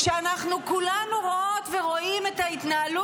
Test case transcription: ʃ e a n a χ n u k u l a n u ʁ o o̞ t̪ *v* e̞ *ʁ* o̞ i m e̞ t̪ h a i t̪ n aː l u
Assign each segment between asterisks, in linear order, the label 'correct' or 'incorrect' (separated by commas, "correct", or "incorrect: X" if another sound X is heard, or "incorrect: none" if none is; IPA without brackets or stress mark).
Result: correct, correct